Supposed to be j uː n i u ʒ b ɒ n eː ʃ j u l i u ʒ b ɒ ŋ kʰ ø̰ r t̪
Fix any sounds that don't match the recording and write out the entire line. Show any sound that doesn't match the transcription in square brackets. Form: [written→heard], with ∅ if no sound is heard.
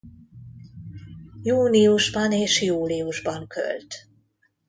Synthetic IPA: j uː n i u ʒ b ɒ n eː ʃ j [u→uː] l i u ʒ b ɒ ŋ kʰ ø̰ [r→l] t̪